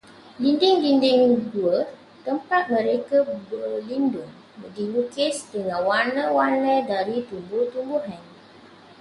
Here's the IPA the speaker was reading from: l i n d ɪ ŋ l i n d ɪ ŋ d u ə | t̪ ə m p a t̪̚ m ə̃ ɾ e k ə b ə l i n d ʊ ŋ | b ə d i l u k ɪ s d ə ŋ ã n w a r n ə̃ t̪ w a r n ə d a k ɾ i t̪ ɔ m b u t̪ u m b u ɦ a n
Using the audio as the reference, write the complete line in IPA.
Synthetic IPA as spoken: l i n d ɪ ŋ l i n d ɪ ŋ d u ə | t̪ ə m p a t̪̚ m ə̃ ɾ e k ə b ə l i n d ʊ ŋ | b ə d i l u k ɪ s d ə ŋ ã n w a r n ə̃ w a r n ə d a ɾ i t̪ u m b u t̪ u m b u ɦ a n